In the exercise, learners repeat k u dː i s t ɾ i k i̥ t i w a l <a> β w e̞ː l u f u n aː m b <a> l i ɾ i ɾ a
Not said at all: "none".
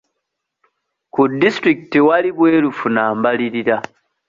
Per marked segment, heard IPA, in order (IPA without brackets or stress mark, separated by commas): i, a